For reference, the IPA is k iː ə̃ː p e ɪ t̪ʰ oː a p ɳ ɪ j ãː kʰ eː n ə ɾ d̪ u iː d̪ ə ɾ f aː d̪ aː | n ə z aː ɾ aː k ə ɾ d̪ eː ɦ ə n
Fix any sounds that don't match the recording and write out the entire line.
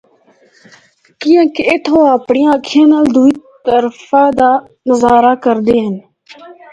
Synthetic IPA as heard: k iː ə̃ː k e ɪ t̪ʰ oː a p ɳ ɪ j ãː kʰ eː n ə l d̪ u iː t̪ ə ɾ f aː d̪ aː | n ə z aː ɾ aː k ə ɾ d̪ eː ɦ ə n